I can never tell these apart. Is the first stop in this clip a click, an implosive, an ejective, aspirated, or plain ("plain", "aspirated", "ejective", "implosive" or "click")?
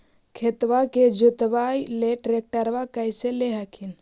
aspirated